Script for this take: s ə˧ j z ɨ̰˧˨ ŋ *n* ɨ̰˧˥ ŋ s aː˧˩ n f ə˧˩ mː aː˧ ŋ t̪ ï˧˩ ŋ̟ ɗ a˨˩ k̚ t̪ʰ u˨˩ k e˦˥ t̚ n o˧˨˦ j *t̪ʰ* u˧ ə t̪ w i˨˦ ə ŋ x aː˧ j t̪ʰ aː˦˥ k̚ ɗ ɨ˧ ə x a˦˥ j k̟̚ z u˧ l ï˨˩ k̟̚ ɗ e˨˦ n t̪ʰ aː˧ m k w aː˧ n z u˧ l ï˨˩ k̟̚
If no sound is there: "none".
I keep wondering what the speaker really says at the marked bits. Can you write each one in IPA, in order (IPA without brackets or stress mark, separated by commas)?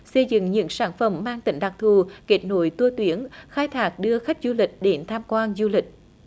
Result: ɲ, t̪